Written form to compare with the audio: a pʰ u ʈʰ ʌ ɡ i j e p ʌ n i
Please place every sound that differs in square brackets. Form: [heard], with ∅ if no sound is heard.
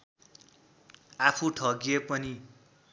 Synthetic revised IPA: a pʰ u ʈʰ ʌ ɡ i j e p ʌ n i